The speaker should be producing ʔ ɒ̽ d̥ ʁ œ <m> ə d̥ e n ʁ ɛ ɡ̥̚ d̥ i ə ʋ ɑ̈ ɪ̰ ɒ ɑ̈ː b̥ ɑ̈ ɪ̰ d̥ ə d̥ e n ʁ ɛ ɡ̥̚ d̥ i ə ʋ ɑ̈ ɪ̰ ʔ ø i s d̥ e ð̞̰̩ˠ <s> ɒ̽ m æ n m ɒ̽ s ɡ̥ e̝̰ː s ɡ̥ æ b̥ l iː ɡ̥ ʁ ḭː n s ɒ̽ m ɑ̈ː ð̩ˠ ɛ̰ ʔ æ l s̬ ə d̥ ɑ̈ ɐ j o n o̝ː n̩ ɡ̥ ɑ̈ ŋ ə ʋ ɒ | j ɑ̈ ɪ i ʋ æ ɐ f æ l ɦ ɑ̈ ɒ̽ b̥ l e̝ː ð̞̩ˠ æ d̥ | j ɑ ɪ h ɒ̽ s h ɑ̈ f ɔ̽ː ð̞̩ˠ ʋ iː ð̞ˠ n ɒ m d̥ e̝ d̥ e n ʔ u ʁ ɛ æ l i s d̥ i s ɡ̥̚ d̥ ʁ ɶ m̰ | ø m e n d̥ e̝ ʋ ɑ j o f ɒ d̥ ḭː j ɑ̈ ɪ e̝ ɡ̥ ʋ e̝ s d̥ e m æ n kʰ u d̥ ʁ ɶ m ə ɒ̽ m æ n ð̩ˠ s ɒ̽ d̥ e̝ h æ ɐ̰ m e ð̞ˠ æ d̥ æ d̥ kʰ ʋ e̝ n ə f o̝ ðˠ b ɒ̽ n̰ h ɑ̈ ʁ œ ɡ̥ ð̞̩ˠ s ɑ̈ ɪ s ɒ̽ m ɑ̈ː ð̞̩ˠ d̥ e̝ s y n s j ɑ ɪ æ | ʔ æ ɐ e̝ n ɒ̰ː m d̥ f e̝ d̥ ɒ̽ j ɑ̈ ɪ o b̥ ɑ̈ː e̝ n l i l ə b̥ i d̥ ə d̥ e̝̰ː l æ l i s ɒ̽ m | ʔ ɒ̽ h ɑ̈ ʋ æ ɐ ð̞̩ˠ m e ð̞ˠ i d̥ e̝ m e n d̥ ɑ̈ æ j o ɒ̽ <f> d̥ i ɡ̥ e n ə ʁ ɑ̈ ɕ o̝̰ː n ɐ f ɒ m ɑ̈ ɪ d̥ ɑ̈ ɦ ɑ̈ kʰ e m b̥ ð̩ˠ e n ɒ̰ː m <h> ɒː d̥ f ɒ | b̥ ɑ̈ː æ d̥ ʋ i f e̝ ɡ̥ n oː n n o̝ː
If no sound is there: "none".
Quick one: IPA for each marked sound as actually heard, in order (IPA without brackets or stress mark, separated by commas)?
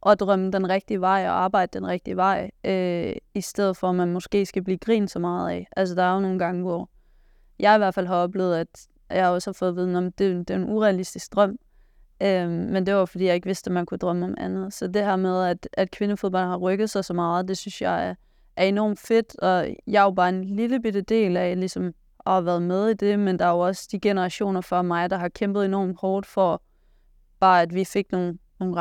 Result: m, f, s, h